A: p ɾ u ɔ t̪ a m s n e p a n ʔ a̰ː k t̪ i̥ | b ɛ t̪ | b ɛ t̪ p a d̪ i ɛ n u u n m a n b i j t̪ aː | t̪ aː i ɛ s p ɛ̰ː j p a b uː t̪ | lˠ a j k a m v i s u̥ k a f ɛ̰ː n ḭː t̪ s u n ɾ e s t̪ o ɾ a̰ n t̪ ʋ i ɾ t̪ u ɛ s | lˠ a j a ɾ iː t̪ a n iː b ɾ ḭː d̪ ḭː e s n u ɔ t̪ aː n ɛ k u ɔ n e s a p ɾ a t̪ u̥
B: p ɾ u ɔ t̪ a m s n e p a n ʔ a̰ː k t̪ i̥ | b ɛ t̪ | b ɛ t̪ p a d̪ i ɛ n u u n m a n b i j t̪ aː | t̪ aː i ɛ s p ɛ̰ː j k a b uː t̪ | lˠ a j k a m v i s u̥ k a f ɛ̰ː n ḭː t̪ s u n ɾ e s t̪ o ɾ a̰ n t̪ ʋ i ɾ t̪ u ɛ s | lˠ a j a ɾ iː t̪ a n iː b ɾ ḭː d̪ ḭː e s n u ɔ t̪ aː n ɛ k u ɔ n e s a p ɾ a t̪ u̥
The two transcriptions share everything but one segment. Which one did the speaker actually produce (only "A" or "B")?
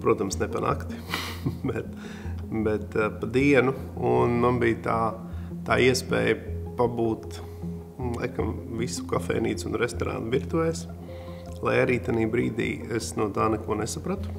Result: A